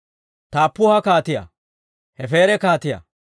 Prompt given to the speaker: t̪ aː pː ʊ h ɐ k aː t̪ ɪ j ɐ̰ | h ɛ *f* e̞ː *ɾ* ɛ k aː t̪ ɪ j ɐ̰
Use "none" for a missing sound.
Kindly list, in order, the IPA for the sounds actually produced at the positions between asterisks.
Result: f, ɾ

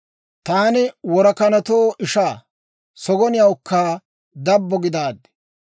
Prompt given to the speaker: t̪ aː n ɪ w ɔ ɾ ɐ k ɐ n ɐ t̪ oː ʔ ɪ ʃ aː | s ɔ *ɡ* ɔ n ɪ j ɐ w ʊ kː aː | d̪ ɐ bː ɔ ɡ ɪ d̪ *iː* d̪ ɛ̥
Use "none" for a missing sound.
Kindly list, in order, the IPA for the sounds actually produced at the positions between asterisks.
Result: ɡ, aː

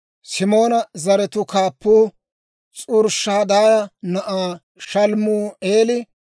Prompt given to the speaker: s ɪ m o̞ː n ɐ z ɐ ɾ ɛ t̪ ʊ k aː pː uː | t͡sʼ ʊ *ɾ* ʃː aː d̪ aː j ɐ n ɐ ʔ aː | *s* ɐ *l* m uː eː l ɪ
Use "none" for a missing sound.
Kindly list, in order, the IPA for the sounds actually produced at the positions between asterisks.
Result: ɾ, ʃ, l

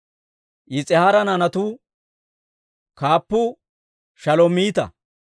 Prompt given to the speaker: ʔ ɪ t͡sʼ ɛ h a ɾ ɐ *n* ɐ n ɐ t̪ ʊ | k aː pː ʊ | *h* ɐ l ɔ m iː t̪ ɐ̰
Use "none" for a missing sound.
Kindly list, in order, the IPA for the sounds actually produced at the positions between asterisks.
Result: n, ʃ

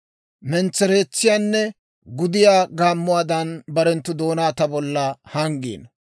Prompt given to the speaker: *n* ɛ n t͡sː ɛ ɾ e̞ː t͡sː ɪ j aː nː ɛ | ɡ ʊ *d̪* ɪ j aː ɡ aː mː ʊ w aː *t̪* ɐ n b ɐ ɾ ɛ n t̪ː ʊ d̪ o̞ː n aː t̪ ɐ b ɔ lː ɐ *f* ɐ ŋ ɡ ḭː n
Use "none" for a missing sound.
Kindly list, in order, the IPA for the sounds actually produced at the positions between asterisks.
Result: m, d̪, d̪, h

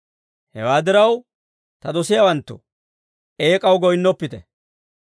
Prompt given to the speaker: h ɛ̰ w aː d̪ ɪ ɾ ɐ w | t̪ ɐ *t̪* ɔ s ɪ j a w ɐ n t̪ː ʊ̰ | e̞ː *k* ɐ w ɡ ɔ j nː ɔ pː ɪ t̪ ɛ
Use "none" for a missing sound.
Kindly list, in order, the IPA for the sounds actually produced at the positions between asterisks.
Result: d̪, kʼ

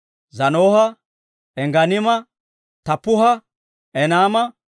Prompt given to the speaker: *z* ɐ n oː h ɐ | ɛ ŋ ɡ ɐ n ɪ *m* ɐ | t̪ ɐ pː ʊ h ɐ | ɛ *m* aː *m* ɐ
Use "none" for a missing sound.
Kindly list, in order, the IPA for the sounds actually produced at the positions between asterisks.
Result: z, m, n, m

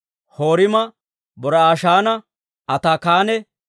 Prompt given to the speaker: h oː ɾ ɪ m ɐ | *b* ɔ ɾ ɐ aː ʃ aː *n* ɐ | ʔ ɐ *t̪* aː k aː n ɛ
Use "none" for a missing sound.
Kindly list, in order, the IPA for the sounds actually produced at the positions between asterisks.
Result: b, n, t̪

